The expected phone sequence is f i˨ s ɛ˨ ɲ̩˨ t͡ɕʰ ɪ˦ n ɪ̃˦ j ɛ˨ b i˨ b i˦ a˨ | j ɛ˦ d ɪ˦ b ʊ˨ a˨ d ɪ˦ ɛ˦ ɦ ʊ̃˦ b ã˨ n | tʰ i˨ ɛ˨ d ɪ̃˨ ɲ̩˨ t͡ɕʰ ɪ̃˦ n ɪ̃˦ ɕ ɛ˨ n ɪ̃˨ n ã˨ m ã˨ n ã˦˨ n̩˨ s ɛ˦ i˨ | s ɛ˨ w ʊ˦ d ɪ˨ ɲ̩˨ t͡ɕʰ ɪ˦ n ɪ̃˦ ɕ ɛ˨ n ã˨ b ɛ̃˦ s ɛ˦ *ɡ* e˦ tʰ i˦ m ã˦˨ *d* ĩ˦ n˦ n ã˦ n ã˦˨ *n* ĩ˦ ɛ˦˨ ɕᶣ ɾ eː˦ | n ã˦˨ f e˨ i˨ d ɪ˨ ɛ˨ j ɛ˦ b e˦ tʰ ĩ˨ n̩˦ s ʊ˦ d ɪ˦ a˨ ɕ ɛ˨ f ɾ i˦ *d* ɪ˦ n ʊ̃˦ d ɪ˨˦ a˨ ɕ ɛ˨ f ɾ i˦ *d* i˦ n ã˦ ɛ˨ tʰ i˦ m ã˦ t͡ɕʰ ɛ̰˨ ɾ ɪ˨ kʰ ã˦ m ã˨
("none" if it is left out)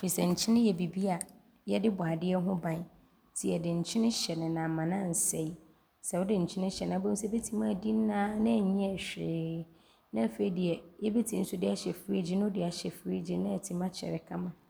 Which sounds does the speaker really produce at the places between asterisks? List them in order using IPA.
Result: b, d, ɲ, d͡ʑ, d͡ʑ

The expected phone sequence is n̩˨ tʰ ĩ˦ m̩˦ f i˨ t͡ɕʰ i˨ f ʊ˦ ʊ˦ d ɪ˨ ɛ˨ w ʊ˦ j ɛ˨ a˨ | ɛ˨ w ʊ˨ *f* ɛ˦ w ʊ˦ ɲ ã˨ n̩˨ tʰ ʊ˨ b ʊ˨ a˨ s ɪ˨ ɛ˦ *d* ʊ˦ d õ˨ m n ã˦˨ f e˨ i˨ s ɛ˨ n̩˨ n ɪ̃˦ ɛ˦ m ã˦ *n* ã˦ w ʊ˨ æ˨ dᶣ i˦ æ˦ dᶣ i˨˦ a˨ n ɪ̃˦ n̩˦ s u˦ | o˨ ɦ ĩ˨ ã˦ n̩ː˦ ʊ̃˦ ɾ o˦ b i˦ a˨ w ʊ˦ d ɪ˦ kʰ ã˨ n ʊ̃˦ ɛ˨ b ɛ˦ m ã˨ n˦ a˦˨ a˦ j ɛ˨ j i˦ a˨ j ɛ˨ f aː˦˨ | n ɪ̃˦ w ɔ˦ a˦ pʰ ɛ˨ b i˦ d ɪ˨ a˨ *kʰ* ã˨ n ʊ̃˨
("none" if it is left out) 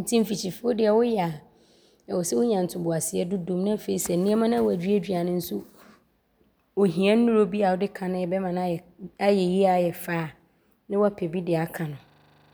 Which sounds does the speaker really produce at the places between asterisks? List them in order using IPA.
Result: s, d, n, kʰ

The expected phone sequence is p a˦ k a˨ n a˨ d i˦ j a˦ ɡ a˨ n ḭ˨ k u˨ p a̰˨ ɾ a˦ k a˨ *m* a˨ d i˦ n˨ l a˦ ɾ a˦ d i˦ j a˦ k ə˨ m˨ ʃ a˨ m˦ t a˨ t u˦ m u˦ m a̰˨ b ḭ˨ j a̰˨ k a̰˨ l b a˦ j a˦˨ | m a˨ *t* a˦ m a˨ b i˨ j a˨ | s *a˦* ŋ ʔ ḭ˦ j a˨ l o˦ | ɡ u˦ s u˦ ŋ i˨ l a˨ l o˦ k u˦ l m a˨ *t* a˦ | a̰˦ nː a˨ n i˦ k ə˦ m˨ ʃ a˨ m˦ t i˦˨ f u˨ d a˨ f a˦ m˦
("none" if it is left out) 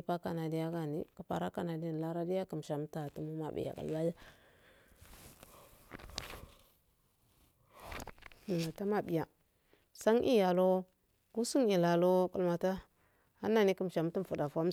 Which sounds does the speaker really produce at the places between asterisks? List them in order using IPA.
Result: n, t, a˦, t

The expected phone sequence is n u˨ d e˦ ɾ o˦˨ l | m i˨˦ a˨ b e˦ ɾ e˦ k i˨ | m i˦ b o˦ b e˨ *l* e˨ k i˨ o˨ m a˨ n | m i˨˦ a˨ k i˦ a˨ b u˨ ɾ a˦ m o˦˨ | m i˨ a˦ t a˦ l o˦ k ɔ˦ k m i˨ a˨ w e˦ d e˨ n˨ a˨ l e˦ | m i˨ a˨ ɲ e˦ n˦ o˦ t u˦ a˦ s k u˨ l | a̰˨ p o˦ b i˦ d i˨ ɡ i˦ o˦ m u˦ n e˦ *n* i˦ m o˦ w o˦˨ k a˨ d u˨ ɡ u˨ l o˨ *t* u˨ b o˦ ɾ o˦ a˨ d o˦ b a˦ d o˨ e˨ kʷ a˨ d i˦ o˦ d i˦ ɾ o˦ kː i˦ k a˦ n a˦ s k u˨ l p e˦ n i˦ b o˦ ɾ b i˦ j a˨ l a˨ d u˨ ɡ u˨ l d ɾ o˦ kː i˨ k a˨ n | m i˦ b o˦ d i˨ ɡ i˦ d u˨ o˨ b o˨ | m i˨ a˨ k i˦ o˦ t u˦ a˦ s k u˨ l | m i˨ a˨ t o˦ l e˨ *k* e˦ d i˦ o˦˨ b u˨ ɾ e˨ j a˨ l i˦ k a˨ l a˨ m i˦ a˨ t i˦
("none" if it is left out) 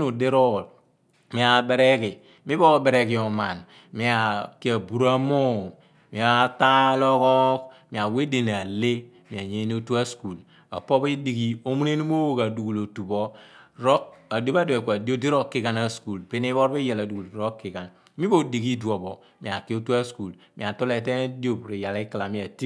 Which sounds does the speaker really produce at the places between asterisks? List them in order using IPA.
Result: ɾ, n, t, t

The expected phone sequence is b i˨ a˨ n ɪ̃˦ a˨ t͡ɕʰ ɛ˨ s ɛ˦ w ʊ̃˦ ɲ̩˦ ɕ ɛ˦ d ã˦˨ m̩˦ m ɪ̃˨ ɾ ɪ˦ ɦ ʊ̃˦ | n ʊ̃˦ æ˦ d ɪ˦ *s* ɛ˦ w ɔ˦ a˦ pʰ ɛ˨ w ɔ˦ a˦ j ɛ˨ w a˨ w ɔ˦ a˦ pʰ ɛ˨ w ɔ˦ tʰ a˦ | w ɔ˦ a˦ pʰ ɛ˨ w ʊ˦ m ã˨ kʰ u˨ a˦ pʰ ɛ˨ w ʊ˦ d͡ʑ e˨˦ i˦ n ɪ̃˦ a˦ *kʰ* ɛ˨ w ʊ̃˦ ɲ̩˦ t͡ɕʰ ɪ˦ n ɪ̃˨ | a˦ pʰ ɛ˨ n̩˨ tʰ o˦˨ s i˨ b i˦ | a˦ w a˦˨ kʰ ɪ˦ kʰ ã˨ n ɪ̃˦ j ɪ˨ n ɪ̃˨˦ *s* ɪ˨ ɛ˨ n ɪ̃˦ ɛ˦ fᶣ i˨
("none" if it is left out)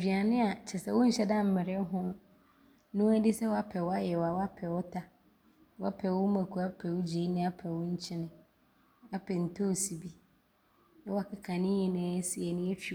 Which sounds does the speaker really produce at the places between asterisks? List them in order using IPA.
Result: s, pʰ, s

